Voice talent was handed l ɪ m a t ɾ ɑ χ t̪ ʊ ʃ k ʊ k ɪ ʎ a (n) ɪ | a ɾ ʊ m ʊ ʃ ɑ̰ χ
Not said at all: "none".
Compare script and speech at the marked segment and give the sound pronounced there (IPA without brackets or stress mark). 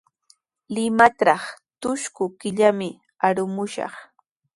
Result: m